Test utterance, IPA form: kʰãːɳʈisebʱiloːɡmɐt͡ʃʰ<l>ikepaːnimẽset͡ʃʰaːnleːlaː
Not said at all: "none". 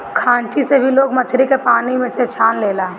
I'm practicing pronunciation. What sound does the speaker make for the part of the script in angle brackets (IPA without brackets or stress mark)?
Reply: ɾ